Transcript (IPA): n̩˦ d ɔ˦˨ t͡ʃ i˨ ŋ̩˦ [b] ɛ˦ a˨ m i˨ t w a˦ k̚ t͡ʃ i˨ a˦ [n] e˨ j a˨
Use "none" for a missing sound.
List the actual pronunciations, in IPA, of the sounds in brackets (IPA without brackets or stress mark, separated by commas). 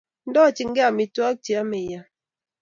ɡ, m